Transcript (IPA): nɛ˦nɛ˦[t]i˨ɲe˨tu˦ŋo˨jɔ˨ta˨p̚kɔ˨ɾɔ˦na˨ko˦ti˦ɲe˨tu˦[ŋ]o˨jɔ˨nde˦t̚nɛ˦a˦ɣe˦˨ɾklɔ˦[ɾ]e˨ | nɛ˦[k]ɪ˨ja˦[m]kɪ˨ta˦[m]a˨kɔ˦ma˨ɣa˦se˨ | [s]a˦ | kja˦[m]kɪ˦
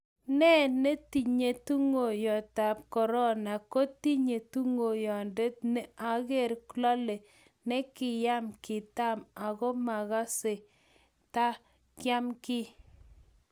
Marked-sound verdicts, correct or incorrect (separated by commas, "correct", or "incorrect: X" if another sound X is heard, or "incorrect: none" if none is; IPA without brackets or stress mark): correct, correct, incorrect: l, correct, correct, correct, incorrect: t, correct